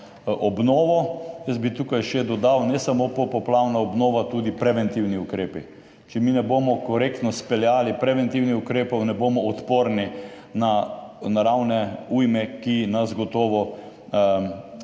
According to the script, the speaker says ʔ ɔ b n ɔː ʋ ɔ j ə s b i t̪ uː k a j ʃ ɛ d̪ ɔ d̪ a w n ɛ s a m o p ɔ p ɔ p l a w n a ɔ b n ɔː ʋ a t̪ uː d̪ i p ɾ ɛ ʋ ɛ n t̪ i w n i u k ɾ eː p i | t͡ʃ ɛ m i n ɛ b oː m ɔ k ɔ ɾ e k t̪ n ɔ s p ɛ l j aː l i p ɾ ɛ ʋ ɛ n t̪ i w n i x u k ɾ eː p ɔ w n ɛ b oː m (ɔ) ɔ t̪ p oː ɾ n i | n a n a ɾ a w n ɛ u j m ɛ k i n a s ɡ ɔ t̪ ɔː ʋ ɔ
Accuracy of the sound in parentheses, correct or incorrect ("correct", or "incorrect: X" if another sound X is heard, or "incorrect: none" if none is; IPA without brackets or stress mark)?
correct